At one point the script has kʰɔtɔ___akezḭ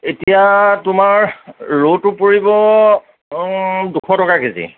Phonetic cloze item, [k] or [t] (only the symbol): k